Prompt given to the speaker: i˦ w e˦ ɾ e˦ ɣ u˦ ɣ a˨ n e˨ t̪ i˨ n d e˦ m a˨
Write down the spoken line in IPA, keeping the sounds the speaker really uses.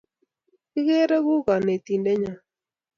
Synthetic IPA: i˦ ɣ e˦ ɾ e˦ ɣ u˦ ɣ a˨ n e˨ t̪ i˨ n d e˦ ɲ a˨